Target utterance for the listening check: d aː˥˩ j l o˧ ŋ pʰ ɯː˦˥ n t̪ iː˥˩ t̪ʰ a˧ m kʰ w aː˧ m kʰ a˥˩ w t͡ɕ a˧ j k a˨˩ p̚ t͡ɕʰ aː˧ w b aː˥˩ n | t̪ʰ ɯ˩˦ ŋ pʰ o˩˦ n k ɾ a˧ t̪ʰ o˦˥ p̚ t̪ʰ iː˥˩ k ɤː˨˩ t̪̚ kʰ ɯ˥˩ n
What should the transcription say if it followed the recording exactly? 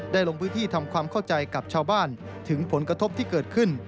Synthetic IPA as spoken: d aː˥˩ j l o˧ ŋ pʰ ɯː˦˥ n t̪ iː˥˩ t̪ʰ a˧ m kʰ w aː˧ m kʰ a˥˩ w t͡ɕ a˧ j k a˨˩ p̚ t͡ɕʰ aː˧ w b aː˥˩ n | t̪ʰ ɯ˩˦ ŋ pʰ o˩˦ n k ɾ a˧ t̪ʰ o˦˥ p̚ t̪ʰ iː˥˩ k ɤː˨˩ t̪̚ kʰ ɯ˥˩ n